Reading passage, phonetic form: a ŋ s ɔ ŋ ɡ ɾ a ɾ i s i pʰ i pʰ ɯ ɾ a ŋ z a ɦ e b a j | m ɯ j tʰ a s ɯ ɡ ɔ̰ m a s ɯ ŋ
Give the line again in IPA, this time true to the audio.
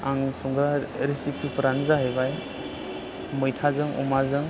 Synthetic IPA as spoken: a ŋ s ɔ ŋ ɡ ɾ a ɾ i s i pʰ i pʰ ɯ ɾ a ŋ z a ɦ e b a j | m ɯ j tʰ a z ɯ ŋ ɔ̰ m a z ɯ ŋ